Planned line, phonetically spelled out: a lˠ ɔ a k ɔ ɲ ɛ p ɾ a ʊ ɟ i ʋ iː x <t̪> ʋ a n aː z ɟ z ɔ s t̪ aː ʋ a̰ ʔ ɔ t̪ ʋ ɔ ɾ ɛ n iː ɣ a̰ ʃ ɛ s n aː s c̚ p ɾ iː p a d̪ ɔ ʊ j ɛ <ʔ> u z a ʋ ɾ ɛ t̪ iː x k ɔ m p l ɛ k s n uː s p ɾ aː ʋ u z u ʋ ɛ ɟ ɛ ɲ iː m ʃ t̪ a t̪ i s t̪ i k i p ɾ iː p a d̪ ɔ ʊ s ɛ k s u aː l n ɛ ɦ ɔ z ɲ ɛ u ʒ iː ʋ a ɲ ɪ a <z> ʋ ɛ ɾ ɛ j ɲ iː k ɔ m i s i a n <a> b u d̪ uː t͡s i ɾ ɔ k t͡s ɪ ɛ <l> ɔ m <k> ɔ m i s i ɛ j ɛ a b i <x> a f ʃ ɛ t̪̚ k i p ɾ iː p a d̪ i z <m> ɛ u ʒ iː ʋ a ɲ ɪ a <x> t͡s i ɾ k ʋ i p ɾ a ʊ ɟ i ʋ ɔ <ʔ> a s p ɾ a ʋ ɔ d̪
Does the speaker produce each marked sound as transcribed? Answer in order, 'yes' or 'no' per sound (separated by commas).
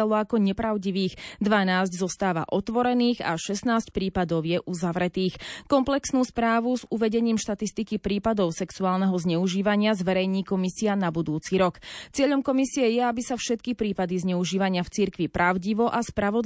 no, yes, yes, yes, no, yes, no, no, no, yes